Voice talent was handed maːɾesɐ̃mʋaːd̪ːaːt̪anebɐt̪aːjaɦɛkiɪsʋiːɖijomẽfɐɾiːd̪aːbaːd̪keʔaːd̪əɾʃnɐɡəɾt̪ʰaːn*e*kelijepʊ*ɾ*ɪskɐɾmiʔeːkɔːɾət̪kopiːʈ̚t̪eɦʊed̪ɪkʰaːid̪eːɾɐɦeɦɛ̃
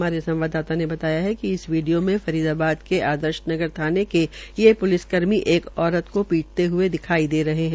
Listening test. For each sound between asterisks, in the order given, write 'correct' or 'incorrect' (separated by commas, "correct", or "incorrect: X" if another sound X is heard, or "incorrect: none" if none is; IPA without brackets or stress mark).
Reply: correct, incorrect: l